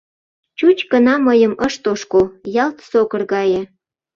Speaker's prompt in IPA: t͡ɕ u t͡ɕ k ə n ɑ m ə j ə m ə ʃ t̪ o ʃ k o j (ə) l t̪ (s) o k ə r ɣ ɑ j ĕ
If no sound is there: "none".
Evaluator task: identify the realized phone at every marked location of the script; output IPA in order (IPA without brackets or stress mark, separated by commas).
ɑ, s